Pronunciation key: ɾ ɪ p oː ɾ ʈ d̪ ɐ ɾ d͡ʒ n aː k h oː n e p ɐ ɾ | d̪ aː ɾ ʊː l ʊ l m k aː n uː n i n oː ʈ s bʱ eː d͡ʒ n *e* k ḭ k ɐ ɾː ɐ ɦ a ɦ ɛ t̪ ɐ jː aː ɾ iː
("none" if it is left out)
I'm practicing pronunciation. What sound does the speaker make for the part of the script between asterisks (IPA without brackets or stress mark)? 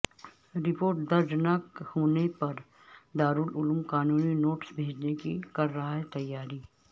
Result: e